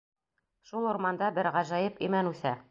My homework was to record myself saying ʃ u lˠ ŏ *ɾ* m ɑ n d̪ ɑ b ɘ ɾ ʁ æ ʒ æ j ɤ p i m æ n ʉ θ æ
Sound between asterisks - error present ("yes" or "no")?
no